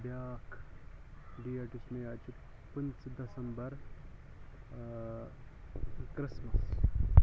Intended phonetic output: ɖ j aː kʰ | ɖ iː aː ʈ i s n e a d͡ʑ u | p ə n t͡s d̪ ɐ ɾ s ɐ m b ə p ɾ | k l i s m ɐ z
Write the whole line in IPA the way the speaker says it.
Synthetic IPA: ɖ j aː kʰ | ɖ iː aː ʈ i s m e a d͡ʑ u | p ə n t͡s d̪ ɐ s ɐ m b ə ɾ | k ɾ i s m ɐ s